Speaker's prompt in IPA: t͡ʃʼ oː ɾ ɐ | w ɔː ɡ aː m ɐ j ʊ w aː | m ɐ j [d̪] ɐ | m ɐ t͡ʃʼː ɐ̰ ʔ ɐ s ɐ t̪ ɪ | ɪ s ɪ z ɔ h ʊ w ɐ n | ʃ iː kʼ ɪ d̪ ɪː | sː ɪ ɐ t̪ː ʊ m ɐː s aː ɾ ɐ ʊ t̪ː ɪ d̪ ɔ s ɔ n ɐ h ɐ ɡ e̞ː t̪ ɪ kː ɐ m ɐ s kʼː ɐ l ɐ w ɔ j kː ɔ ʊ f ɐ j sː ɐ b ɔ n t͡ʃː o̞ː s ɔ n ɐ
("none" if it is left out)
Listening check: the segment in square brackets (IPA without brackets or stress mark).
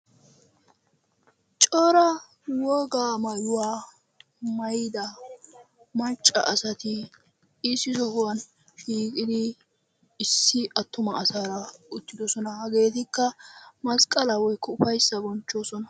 d̪